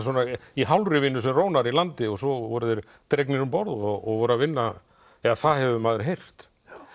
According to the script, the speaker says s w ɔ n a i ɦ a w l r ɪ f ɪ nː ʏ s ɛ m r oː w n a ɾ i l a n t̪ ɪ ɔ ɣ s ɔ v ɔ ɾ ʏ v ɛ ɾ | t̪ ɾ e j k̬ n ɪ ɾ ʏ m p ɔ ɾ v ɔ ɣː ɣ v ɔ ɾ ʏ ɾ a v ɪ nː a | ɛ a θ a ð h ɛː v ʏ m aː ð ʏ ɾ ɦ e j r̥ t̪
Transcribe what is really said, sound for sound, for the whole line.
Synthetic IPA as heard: s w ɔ n a i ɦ a w l r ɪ v ɪ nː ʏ s ɛ m r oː w n a ɾ i l a n t̪ ɪ ɔ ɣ s ɔ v ɔ ɾ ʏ ð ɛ ɾ | t̪ ɾ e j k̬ n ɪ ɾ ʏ m p ɔ ɾ ð ɔ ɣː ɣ v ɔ ɾ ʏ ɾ a v ɪ nː a | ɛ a θ a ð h ɛ v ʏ m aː ð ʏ ɾ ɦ e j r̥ t̪